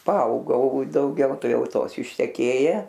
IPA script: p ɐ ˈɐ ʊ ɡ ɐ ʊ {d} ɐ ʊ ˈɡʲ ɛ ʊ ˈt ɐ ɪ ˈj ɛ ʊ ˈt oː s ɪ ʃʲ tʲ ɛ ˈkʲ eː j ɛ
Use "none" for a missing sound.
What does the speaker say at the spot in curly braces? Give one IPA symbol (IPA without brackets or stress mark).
d